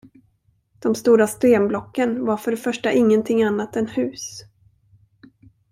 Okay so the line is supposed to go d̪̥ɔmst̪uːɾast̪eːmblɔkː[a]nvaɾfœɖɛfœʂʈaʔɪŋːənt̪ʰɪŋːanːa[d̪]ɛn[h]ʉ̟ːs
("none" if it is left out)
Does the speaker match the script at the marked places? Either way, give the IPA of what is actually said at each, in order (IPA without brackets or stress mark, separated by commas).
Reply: ə, t̪, h